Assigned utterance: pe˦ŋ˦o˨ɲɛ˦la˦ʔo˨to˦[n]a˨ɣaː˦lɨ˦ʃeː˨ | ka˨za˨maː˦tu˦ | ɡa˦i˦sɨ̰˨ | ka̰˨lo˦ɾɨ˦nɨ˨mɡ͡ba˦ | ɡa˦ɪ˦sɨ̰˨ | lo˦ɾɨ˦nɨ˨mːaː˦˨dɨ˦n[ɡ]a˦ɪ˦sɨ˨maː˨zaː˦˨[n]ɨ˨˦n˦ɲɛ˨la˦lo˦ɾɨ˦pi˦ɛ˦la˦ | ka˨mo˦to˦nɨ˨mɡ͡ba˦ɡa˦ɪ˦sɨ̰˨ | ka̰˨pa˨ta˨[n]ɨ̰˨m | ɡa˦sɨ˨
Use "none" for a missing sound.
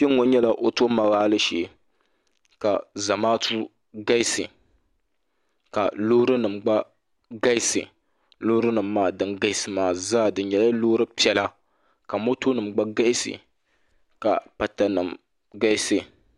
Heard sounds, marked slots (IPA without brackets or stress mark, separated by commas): m, ɡ, d, n